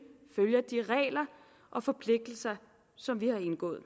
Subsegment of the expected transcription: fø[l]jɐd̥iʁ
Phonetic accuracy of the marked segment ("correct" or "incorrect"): correct